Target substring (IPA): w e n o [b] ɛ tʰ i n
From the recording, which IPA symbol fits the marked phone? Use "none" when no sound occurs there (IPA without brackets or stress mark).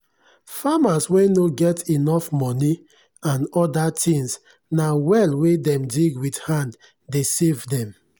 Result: ɡ